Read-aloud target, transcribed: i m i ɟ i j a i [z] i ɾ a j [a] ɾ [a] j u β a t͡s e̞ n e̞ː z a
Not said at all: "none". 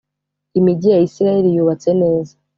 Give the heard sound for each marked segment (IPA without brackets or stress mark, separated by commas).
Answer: s, e, i